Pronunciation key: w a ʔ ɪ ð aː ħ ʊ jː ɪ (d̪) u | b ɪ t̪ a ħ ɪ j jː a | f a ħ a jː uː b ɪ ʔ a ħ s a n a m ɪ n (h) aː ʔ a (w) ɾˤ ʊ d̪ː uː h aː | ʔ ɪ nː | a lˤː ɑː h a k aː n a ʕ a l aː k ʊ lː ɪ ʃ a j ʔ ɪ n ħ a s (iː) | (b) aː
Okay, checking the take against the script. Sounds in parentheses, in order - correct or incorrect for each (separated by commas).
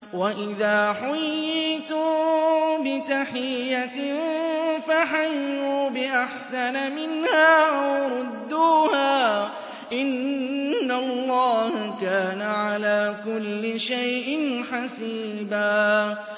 incorrect, correct, correct, correct, correct